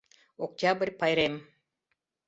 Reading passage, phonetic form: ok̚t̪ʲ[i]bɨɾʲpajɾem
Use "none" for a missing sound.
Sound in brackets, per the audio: a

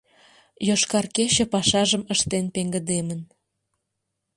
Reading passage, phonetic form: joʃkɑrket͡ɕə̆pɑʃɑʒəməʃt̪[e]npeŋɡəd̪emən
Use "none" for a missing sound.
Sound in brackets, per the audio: e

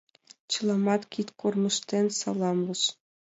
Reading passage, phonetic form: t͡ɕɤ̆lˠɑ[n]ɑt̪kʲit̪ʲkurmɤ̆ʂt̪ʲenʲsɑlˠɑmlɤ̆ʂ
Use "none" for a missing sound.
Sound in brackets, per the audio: m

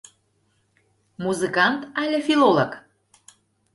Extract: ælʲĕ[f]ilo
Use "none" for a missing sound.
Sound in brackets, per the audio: f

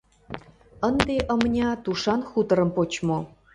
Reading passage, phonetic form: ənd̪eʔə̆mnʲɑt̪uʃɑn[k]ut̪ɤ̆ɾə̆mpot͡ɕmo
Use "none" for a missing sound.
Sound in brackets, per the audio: x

